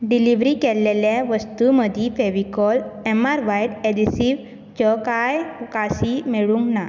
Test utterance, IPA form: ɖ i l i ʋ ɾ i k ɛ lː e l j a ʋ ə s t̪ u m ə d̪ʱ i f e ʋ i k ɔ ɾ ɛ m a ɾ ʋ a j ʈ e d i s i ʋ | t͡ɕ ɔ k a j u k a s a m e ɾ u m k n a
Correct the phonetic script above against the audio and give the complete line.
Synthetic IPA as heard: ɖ i l i ʋ ɾ i k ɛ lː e l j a ʋ ə s t̪ u m ə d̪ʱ i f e ʋ i k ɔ l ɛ m a ɾ ʋ a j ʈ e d i s i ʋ | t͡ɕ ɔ k a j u k a s i m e ɭ u ŋ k n a